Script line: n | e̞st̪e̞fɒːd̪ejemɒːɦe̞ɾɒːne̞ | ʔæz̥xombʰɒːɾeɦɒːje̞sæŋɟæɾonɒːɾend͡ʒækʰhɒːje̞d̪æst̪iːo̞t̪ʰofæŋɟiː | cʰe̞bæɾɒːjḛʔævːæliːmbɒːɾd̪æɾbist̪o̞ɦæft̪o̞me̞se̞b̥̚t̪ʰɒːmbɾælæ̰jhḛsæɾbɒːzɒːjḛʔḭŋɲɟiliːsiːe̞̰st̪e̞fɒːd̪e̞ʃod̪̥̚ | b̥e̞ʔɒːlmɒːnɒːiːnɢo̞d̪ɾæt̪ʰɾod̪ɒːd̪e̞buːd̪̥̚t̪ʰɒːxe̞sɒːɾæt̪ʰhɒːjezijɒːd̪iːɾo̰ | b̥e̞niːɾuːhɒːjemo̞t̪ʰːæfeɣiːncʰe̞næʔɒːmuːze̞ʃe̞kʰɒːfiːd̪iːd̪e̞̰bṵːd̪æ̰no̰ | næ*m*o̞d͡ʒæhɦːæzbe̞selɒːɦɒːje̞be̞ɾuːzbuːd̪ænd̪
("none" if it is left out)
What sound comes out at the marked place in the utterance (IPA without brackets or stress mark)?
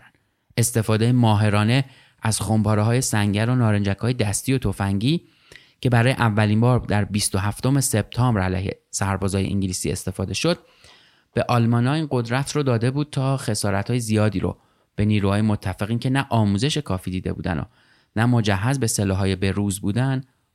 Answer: m